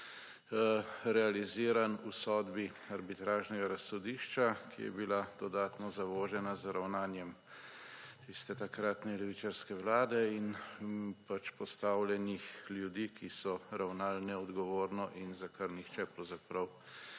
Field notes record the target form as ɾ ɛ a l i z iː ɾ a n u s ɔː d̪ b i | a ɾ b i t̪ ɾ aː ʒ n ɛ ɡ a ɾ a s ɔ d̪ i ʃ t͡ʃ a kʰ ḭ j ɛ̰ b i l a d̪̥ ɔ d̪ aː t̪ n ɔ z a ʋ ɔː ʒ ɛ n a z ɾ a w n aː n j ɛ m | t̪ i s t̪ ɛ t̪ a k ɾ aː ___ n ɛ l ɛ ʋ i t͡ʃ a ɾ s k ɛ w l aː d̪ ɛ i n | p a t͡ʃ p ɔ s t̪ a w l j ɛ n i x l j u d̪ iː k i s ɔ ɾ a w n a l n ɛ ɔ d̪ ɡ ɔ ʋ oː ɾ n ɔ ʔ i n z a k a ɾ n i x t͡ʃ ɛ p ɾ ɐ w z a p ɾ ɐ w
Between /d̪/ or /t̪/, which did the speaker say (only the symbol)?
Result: t̪